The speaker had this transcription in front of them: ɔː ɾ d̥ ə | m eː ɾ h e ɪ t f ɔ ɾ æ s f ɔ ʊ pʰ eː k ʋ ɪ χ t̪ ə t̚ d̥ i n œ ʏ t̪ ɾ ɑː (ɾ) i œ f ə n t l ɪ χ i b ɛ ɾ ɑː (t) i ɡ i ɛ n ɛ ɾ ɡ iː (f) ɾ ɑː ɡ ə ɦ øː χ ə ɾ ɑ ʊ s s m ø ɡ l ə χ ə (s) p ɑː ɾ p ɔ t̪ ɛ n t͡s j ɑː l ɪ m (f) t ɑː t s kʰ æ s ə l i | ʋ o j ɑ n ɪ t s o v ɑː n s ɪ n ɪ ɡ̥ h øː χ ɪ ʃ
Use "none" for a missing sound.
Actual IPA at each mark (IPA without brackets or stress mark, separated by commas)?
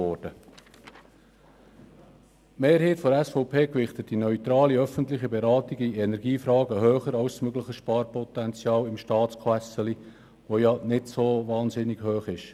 l, t, f, ʃ, ʃ